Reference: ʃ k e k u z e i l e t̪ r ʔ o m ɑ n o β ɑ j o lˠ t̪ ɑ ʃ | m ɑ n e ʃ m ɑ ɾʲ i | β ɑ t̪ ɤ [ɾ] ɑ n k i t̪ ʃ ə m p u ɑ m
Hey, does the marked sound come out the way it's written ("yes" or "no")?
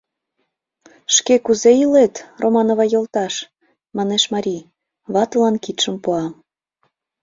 no